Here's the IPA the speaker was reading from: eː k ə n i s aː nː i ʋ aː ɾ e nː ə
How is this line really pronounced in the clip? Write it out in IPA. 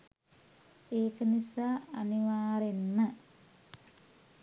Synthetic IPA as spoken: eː k ə n i s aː n i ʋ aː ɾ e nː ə